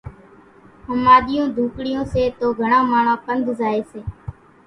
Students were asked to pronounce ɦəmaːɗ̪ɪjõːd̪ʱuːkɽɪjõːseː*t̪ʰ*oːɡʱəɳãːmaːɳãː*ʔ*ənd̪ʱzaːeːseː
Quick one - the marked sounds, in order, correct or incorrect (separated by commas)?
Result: incorrect, incorrect